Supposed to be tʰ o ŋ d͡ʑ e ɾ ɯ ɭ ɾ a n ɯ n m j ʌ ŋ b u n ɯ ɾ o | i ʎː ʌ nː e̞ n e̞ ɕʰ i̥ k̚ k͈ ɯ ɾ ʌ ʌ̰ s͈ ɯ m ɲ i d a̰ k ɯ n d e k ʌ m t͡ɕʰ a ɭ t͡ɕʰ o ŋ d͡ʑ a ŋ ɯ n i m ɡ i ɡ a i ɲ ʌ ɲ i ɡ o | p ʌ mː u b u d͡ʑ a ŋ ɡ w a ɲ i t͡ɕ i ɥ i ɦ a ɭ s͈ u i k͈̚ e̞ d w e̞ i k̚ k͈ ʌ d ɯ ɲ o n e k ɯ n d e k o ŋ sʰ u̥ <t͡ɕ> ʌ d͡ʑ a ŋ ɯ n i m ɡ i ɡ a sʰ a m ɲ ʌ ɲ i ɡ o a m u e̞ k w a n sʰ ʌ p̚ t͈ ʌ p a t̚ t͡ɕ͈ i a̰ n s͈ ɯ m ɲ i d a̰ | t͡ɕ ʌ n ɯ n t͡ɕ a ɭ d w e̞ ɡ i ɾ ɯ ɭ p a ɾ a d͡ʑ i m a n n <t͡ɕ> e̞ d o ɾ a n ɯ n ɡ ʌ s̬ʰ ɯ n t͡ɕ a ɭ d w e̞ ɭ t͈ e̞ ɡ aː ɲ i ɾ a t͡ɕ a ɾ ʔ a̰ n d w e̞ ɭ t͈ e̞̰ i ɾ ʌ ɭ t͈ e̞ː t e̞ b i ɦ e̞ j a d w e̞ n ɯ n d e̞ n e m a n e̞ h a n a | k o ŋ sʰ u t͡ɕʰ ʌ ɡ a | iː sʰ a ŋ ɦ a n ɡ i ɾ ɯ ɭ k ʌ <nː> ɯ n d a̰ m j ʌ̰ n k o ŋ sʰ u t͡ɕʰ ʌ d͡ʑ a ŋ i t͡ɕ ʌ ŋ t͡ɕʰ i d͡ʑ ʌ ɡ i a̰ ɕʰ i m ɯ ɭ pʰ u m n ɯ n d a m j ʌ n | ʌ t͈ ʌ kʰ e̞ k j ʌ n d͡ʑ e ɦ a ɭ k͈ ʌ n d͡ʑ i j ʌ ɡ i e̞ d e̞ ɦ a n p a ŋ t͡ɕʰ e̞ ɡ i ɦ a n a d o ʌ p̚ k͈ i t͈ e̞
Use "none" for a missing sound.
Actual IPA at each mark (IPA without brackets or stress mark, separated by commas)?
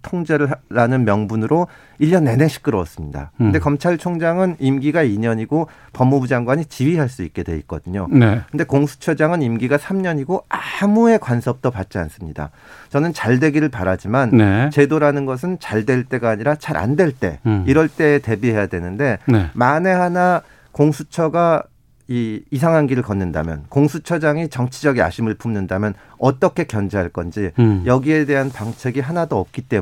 t͡ɕʰ, t͡ɕ, nː